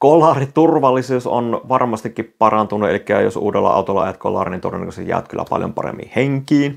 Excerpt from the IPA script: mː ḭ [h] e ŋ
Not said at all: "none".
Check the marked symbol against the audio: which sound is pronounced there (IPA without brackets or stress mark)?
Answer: h